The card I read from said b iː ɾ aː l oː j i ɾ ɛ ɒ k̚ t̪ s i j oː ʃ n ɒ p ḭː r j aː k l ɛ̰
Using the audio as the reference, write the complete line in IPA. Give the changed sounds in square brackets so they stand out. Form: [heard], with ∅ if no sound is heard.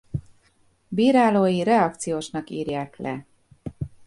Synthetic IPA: b iː ɾ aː l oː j i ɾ ɛ ɒ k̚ t̪ s i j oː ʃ n ɒ [k] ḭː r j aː k l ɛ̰